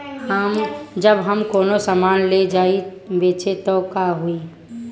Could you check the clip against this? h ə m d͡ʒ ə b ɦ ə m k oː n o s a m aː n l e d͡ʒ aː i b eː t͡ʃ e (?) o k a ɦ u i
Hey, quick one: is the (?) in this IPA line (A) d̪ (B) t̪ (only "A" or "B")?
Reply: B